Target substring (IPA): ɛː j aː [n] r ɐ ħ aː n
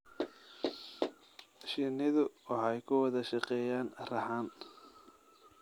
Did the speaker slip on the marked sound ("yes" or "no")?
no